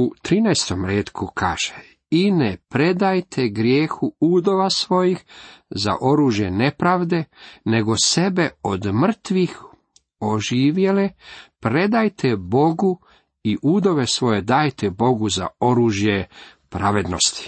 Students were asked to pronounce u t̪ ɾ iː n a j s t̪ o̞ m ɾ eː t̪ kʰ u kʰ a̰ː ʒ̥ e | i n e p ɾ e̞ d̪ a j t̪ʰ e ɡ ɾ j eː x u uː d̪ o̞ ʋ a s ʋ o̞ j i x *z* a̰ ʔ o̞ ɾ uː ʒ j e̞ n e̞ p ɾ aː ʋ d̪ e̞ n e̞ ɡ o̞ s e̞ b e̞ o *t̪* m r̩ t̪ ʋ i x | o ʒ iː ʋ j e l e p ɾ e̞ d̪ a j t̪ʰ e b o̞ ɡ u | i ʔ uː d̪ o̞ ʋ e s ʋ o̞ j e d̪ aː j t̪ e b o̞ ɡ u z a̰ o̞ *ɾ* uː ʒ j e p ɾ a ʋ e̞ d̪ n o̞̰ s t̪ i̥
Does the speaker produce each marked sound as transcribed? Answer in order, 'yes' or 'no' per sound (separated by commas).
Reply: yes, no, yes